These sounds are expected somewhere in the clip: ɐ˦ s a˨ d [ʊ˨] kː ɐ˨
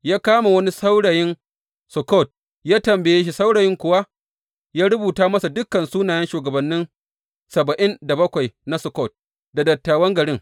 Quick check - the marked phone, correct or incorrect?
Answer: incorrect